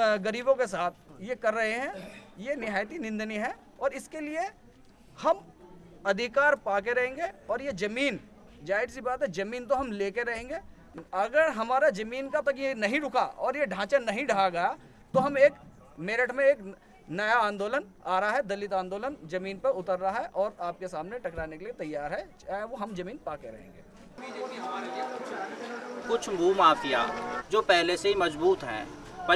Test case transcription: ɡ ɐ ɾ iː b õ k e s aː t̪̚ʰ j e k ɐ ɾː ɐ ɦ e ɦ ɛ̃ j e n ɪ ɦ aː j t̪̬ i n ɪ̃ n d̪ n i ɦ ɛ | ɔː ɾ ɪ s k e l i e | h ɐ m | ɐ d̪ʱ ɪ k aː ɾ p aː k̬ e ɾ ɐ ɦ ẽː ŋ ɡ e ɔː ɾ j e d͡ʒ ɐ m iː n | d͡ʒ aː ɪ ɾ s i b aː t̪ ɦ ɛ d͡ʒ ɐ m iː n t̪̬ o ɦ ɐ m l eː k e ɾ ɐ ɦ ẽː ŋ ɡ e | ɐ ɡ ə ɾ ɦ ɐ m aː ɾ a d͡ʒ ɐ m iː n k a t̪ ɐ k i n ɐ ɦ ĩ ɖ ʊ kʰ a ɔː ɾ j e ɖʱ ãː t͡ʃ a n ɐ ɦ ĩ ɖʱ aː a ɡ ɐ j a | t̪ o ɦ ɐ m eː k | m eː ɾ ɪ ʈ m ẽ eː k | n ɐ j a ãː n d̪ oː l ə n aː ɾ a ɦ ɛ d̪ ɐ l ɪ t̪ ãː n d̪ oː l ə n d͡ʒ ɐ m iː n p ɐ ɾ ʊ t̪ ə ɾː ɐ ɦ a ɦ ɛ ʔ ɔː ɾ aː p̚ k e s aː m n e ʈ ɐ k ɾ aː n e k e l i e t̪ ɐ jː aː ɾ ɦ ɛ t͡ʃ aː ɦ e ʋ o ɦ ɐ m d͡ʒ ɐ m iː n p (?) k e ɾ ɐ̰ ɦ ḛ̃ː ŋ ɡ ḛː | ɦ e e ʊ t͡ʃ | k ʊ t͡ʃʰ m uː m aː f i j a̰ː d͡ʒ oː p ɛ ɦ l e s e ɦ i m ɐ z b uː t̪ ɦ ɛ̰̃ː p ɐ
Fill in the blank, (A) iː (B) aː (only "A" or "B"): B